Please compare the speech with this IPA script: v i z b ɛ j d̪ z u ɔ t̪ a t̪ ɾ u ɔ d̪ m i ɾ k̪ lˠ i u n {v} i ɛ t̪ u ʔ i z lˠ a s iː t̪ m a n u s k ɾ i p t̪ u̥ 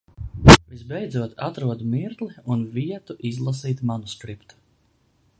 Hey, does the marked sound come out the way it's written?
yes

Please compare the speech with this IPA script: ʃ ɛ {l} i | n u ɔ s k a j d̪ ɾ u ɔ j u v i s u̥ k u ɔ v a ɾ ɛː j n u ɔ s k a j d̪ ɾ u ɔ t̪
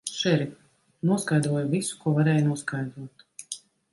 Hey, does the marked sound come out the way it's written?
no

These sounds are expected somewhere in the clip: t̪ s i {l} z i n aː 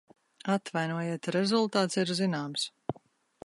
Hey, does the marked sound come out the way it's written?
no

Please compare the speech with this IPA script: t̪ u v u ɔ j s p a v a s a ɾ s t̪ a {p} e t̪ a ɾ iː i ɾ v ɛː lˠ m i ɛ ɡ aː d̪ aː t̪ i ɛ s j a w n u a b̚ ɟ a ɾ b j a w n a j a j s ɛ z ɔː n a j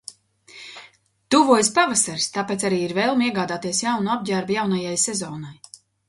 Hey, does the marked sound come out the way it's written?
yes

